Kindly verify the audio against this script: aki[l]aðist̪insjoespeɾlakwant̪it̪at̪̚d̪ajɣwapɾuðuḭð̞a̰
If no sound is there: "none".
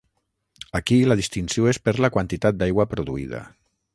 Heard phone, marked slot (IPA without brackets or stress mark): l